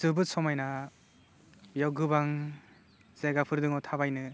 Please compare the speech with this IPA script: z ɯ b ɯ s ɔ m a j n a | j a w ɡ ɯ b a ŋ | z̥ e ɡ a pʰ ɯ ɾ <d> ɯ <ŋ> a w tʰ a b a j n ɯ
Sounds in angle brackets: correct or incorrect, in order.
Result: correct, correct

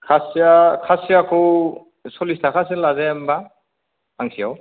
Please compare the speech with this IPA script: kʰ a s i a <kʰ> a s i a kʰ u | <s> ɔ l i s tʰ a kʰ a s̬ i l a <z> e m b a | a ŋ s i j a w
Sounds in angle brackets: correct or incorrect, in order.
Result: correct, correct, correct

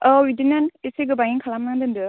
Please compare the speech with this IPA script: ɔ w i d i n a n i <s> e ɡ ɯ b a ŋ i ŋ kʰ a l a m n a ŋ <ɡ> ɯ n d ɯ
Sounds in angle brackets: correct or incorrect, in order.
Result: correct, incorrect: d

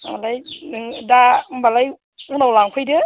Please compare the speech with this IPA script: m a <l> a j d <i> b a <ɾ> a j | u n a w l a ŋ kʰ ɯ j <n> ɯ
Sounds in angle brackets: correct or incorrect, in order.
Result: correct, incorrect: a, incorrect: l, incorrect: d

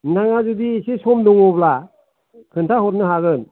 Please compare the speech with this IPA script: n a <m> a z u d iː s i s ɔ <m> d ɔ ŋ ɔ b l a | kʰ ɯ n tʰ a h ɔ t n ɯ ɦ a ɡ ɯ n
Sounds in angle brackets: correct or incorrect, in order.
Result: incorrect: ŋ, correct

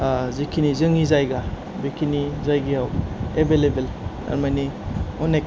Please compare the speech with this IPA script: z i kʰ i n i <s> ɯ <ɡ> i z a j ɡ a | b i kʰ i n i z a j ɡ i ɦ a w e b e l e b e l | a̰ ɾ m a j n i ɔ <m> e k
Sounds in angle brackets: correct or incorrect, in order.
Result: incorrect: z, incorrect: ŋ, incorrect: n

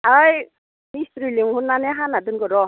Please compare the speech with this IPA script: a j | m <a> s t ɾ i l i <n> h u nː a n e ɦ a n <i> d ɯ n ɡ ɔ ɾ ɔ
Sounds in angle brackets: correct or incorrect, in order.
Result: incorrect: i, incorrect: ŋ, incorrect: a

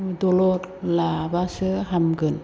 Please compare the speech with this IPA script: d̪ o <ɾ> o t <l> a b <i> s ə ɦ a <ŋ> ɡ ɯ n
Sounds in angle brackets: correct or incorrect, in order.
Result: incorrect: l, correct, incorrect: a, incorrect: m

